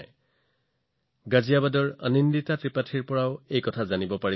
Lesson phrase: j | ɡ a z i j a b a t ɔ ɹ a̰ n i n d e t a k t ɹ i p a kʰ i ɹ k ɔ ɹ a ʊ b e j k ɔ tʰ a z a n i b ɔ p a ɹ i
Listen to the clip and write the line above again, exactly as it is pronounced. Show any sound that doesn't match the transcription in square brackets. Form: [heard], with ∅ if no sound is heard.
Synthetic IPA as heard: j | ɡ a z i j a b a [d] ɔ ɹ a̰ n i n d [i] t a [∅] t ɹ i p a [tʰ] i ɹ [p] ɔ ɹ a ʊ [∅] e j k ɔ tʰ a z a n i b ɔ p a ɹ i

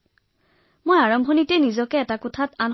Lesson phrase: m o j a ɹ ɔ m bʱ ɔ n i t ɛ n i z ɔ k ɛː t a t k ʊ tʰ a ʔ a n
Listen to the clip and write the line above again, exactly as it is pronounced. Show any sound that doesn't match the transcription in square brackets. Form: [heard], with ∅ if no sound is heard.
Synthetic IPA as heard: m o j a ɹ ɔ m bʱ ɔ n i t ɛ n i z ɔ k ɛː t a [∅] k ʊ tʰ a [t] a n

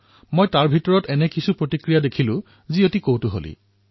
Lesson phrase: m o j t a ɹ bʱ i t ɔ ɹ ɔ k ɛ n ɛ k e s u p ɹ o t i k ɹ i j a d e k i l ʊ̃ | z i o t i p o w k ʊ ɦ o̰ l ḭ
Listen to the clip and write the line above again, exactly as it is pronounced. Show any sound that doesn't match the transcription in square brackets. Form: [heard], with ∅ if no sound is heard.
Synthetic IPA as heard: m o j t a ɹ bʱ i t ɔ ɹ ɔ [t] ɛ n ɛ k [i] s u p ɹ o t i k ɹ i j a d e [kʰ] i l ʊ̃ | z i o t i [k] o w [t] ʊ ɦ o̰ l ḭ

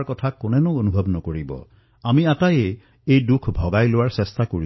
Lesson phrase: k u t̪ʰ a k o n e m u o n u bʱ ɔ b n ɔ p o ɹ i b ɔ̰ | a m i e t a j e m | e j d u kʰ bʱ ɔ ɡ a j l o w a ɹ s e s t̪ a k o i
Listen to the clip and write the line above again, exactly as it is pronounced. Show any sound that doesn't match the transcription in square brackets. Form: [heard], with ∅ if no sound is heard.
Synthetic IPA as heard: k [ɔ] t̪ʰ a k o n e [n] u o n u bʱ ɔ b n ɔ [k] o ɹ i b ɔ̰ | a m i [a] t a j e [∅] | e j d u kʰ bʱ ɔ ɡ a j l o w a ɹ s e s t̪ a k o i

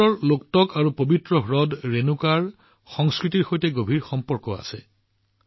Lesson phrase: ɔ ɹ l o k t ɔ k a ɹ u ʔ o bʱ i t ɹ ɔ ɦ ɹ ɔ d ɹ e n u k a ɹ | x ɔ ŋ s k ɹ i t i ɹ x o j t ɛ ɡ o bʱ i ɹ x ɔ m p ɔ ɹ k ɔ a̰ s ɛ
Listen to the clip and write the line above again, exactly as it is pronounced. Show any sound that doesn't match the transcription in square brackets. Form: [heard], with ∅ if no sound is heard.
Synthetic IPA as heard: ɔ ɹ l o k t ɔ k a ɹ u [p] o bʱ i t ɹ ɔ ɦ ɹ ɔ d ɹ e n u k a ɹ | x ɔ ŋ s k ɹ i t i ɹ x o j t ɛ ɡ o bʱ i ɹ x ɔ m p ɔ ɹ k ɔ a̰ s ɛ

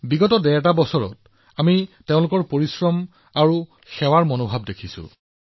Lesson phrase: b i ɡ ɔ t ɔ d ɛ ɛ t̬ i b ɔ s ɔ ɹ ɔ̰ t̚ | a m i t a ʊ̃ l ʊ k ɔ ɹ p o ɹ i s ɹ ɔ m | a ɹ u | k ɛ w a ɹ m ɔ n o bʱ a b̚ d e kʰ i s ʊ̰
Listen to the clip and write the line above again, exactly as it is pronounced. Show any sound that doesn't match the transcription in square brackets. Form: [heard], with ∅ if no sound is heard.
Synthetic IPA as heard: b i ɡ ɔ t ɔ d ɛ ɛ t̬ [a] b ɔ s ɔ ɹ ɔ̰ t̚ | a m i t [e] ʊ̃ l ʊ k ɔ ɹ p o ɹ i s ɹ ɔ m | a ɹ u | [x] ɛ w a ɹ m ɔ n o bʱ a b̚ d e kʰ i s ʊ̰

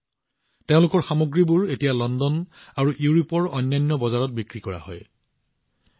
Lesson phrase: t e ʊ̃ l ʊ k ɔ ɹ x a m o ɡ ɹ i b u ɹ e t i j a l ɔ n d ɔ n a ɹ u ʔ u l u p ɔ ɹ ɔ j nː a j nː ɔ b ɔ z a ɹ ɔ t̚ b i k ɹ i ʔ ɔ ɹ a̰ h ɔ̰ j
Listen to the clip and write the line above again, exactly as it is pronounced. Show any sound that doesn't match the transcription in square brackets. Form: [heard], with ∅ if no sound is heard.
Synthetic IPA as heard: t e ʊ̃ l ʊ k ɔ ɹ x a m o ɡ ɹ i b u ɹ e t i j a l ɔ n d ɔ n a ɹ u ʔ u [ɹ] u p ɔ ɹ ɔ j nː a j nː ɔ b ɔ z a ɹ ɔ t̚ b i k ɹ i [k] ɔ ɹ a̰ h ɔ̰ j

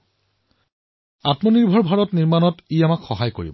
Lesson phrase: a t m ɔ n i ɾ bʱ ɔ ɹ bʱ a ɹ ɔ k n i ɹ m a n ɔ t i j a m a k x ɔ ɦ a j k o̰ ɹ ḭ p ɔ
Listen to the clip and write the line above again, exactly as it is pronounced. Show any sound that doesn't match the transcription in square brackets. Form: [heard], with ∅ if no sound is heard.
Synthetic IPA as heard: a t m ɔ n i [ɹ] bʱ ɔ ɹ bʱ a ɹ ɔ [t] n i ɹ m a n ɔ t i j a m a k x ɔ ɦ a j k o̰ ɹ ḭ [b] ɔ

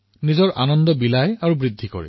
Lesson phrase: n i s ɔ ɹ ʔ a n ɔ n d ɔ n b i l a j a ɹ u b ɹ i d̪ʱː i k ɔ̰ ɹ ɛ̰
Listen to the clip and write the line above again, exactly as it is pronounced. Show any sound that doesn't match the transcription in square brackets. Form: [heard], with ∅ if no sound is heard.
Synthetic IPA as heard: n i [z] ɔ ɹ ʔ a n ɔ n d ɔ [∅] b i l a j a ɹ u b ɹ i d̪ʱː i k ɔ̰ ɹ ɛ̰

